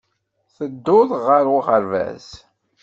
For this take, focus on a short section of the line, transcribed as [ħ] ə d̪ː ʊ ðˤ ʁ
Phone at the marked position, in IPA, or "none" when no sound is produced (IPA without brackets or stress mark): θ